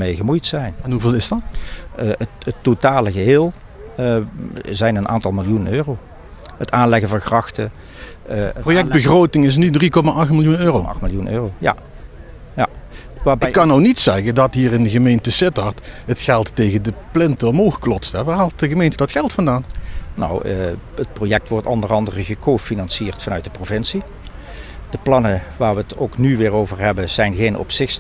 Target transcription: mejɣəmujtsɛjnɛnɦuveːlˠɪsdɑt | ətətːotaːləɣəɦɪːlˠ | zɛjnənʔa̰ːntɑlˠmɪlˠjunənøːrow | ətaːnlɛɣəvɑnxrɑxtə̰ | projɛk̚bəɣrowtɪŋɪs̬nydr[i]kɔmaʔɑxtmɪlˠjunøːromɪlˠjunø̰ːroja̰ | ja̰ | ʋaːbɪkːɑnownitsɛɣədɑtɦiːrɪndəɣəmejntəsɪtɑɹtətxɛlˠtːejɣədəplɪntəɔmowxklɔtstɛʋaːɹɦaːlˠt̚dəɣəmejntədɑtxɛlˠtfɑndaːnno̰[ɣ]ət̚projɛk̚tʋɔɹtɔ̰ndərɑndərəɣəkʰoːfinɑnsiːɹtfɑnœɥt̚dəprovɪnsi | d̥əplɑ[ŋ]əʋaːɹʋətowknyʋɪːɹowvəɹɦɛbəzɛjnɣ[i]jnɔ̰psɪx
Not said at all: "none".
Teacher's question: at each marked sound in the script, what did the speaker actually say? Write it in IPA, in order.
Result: i, w, n, e

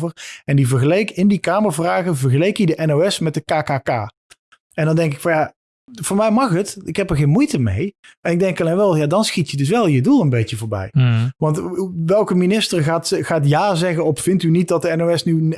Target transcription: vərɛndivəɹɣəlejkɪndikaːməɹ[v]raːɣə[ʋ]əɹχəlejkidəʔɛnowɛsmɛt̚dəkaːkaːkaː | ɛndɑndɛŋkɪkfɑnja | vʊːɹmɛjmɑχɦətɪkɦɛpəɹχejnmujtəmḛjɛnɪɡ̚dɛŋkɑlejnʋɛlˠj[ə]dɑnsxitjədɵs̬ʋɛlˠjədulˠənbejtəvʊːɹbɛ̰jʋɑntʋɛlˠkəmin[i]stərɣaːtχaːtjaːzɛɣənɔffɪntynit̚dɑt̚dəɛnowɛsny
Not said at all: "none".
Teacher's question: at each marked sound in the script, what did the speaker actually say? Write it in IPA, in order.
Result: v, v, a, ɪ

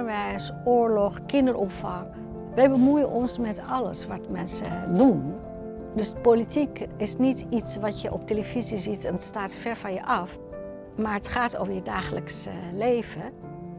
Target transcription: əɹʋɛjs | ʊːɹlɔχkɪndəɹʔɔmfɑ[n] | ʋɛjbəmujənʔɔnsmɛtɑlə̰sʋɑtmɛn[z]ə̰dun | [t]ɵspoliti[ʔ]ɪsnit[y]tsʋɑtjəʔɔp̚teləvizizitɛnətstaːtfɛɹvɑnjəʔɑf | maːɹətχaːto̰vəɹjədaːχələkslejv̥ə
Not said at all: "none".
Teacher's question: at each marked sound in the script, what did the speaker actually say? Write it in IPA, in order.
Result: ŋ, s, d, k, i

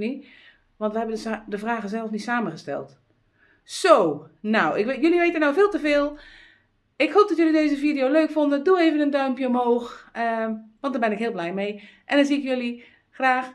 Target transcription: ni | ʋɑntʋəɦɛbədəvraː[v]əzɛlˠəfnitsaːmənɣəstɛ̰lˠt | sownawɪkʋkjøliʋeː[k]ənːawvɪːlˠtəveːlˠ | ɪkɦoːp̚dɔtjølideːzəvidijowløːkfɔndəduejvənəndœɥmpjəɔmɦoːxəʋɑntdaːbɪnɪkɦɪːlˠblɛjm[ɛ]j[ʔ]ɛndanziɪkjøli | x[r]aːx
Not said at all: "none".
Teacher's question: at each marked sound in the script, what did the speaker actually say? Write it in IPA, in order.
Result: ɣ, t, e, ʔ, r

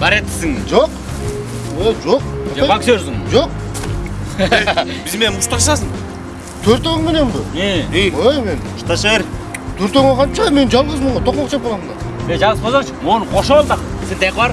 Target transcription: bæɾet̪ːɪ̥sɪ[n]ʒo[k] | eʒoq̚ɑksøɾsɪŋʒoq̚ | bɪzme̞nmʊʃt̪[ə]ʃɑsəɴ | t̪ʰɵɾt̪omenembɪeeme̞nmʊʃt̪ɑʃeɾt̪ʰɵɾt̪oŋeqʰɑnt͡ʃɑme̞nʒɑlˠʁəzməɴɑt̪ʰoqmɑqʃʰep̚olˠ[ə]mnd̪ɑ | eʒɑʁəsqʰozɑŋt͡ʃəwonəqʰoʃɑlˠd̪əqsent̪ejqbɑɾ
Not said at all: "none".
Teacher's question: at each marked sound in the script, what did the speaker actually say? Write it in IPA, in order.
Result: ŋ, q, ɑ, ɑ

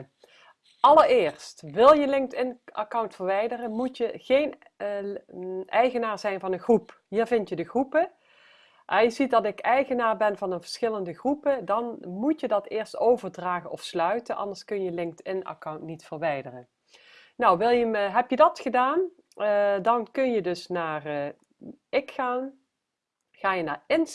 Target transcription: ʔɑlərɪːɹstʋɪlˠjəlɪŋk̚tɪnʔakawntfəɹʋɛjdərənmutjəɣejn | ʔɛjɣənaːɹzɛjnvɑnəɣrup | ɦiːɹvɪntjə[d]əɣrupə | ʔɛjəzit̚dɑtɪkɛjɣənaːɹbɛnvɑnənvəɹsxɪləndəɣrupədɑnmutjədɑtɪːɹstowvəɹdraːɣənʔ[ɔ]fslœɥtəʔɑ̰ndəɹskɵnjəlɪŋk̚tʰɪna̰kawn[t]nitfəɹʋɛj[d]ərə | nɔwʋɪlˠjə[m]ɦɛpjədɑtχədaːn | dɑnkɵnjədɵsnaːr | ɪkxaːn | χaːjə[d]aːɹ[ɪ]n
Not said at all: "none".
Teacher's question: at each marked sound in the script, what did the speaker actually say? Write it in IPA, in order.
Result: d, ɔ, t, d, m, n, ɪ

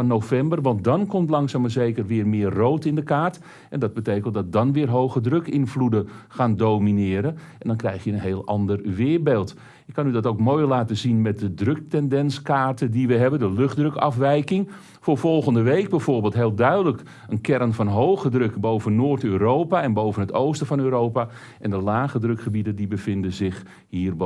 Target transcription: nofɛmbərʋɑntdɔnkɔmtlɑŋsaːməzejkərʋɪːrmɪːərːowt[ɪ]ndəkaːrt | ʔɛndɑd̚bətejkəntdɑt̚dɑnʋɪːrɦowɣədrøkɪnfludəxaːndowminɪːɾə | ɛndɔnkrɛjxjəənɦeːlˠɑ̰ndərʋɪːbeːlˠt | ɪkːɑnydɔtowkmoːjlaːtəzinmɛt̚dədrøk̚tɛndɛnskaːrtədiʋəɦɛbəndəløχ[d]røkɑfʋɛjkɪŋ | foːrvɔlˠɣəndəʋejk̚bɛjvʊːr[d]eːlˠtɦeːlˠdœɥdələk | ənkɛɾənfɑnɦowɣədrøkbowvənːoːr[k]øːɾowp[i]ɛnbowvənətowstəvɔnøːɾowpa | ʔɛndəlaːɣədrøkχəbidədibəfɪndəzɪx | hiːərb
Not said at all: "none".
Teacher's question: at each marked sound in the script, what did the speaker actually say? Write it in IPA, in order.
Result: ɪ, d, b, t, a

